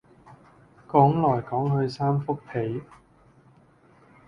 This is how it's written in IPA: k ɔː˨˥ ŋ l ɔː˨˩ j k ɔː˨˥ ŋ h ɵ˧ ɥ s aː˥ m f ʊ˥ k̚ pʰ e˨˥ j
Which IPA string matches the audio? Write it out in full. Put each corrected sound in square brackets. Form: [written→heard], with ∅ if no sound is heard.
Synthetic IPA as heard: k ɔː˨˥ ŋ l ɔː˨˩ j k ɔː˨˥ ŋ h ɵ˧ ɥ s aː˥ m f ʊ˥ k̚ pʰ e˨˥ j